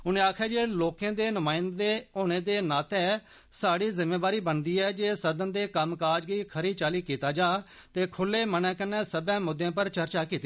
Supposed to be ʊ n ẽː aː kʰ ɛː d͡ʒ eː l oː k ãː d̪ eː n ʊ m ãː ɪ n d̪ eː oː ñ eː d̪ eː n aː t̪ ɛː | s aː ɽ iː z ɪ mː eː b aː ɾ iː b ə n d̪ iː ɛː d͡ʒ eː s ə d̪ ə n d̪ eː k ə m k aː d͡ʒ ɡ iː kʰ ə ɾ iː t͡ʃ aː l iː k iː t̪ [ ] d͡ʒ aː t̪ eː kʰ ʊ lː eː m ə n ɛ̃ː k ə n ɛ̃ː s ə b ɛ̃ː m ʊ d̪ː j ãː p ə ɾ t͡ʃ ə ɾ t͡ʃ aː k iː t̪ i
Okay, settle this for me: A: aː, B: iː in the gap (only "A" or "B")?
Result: A